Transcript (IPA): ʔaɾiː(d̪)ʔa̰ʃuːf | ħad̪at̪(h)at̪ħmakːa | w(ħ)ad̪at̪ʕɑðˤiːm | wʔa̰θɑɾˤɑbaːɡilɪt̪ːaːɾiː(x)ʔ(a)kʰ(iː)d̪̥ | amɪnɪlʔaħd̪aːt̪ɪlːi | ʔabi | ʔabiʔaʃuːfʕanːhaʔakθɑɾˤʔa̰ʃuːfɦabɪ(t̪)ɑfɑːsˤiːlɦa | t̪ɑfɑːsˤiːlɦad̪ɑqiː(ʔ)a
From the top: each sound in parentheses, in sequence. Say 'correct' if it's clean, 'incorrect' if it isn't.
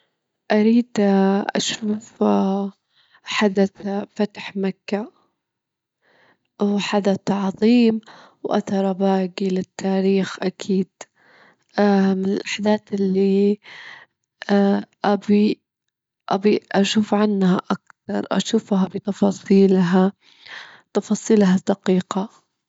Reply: correct, incorrect, correct, correct, correct, correct, correct, incorrect

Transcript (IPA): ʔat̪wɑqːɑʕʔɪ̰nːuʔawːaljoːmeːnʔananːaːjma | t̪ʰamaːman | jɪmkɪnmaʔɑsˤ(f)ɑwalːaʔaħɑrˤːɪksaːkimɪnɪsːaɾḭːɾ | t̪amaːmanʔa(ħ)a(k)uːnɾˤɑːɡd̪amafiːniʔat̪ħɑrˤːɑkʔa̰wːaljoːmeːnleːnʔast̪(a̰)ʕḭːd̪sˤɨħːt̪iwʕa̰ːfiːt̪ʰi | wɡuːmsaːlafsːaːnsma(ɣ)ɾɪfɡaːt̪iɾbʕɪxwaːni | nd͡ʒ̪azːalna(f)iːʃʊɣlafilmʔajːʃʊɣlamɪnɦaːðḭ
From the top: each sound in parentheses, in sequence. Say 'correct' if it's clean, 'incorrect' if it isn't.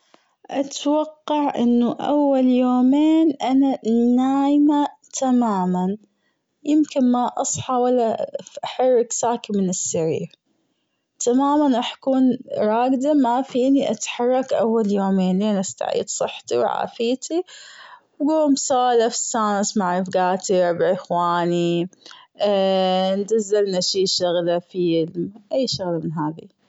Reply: incorrect, correct, correct, correct, incorrect, incorrect

